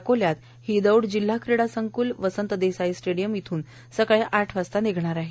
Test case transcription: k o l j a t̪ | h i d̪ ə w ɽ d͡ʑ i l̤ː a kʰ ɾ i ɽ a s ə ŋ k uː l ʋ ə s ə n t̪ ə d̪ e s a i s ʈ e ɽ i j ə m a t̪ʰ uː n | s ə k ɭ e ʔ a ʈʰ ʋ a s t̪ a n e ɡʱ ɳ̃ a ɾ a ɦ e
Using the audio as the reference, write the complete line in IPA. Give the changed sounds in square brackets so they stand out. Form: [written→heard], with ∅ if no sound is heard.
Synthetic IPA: k o l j a t̪ | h i d̪ ə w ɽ d͡ʑ i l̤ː a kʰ ɾ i ɽ a s ə ŋ k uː l ʋ ə s ə n t̪ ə d̪ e s a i s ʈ e ɽ i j ə m [a→i] t̪ʰ uː n | s ə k ɭ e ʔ a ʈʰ ʋ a s t̪ a n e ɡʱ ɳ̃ a ɾ a ɦ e